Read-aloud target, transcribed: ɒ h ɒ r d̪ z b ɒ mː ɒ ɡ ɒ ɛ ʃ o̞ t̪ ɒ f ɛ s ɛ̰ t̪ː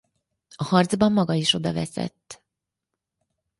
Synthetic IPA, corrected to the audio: ɒ h ɒ r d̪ z b ɒ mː ɒ ɡ ɒ i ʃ o̞ d̪ ɒ v ɛ s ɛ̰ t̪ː